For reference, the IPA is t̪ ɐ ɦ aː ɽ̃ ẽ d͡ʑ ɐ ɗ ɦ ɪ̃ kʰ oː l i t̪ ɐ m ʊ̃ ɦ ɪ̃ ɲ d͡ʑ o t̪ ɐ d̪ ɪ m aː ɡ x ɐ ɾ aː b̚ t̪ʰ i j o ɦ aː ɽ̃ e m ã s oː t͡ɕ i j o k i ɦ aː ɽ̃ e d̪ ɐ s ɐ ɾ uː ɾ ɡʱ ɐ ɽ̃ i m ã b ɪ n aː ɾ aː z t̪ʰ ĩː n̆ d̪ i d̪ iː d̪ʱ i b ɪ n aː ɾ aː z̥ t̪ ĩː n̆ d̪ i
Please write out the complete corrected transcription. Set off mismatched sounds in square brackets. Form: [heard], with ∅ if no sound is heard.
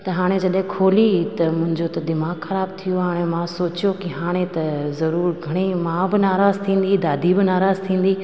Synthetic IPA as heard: t̪ ɐ ɦ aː ɽ̃ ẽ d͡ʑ ɐ ɗ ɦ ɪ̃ kʰ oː l i t̪ ɐ m ʊ̃ ɦ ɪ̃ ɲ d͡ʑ o t̪ ɐ d̪ ɪ m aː ɡ x ɐ ɾ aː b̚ t̪ʰ i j o ɦ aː ɽ̃ e m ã s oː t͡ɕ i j o k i ɦ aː ɽ̃ e [t̪] ɐ [z] ɐ ɾ uː ɾ ɡʱ ɐ ɽ̃ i m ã b ɪ n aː ɾ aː z t̪ʰ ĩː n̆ d̪ i d̪ [aː] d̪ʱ i b ɪ n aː ɾ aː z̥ [t̪ʰ] ĩː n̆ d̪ i